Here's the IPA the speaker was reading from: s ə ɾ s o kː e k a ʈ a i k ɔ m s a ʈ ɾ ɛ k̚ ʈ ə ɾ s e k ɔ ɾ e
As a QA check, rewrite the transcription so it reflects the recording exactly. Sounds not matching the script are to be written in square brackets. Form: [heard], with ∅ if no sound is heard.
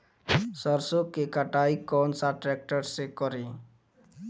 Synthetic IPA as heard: s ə ɾ s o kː e k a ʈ a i k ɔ [n] s a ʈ ɾ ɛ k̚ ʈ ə ɾ s e k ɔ ɾ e